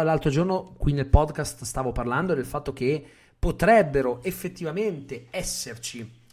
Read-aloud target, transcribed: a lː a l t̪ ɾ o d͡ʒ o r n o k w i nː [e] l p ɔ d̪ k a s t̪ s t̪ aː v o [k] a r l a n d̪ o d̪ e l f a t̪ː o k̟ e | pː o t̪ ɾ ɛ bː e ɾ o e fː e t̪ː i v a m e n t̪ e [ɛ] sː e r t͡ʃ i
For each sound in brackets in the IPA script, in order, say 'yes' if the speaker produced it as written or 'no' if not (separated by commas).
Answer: yes, no, yes